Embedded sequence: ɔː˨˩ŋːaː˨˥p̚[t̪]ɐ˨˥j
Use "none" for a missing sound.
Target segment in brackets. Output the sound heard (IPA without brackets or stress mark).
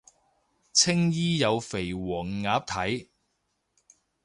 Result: t̪ʰ